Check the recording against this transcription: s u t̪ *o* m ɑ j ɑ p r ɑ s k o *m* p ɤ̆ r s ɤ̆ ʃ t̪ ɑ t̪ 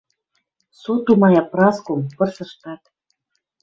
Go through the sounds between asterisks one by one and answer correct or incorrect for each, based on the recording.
incorrect: u, correct

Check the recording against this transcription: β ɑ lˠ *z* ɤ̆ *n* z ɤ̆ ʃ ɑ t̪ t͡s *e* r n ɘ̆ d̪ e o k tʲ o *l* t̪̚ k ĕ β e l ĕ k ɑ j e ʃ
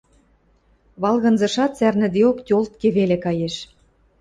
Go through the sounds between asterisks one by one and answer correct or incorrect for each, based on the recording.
incorrect: ɣ, correct, incorrect: æ, correct

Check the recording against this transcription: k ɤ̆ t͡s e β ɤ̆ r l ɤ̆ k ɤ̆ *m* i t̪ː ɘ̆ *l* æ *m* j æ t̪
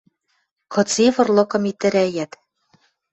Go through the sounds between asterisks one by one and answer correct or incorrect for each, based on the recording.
correct, incorrect: ɾ, incorrect: none

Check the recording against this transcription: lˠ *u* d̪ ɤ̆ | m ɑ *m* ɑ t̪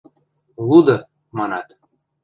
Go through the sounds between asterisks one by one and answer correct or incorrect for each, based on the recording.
correct, incorrect: n

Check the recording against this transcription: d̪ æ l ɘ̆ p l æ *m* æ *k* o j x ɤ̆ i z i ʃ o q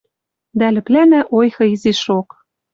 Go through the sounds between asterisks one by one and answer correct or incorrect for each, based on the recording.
incorrect: n, incorrect: ʔ

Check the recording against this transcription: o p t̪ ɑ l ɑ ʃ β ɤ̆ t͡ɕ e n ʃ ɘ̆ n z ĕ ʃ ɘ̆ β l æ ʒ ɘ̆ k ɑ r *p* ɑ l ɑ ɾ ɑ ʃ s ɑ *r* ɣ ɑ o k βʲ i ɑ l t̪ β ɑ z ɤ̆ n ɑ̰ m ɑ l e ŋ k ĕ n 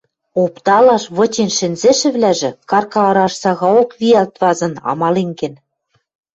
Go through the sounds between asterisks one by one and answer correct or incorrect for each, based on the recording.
incorrect: k, incorrect: none

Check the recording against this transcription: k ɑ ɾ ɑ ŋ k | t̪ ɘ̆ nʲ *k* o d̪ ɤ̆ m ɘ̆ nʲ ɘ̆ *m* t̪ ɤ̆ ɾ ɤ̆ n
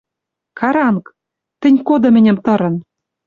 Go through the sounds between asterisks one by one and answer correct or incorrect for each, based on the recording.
correct, correct

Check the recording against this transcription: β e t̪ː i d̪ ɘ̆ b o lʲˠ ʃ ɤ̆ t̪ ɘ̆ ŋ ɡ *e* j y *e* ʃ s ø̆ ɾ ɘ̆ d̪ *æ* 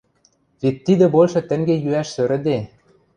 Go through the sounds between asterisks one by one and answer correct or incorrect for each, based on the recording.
correct, incorrect: æ, incorrect: e

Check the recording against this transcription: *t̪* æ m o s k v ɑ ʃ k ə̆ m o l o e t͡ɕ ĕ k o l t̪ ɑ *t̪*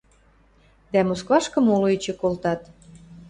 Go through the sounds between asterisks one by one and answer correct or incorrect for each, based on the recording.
incorrect: d̪, correct

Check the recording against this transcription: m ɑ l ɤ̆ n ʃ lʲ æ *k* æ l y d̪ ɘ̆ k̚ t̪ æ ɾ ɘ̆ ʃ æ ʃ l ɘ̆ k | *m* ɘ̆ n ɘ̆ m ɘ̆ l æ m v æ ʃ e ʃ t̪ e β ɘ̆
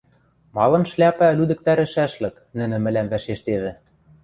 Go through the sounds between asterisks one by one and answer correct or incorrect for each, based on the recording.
incorrect: p, incorrect: n

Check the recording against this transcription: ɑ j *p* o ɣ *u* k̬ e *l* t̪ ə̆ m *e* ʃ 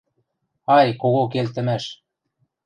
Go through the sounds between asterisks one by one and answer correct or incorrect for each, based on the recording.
incorrect: k, incorrect: o, correct, incorrect: æ

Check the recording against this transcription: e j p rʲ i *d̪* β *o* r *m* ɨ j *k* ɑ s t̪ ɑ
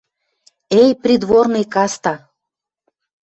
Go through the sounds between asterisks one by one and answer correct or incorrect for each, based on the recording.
correct, correct, incorrect: n, correct

